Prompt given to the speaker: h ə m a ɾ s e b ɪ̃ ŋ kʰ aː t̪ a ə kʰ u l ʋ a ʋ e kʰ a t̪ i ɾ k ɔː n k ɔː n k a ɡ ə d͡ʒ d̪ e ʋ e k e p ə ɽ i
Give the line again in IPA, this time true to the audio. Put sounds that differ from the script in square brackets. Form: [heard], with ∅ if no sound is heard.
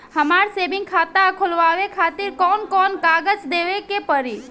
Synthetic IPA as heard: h ə m a ɾ s e b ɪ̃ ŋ kʰ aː t̪ a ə kʰ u l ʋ a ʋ e kʰ a t̪ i ɾ k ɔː n k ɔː n k a ɡ ə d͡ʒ d̪ e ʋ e k e p ə [ɾ] i